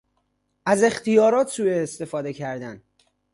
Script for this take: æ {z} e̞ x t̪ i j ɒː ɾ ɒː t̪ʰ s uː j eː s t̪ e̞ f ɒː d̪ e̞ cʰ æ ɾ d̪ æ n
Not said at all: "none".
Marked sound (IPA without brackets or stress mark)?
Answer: z